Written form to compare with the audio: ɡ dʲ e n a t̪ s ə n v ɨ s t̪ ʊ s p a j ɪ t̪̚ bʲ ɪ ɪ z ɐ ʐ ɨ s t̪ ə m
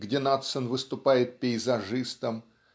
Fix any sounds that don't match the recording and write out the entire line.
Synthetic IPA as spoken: ɡ dʲ e n a t̪ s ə n v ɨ s t̪ ʊ p a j ɪ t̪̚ pʲ ɪ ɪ z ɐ ʐ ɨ s t̪ ə m